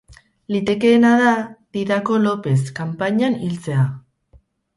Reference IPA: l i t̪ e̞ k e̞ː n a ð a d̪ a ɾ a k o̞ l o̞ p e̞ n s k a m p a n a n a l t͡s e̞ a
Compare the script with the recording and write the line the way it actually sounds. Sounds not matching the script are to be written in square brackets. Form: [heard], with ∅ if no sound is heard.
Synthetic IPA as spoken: l i t̪ e̞ k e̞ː n a ð a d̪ [i] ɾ a k o̞ l o̞ p e̞ [∅] s k a m p a [ɲ] a n [i] l t͡s e̞ a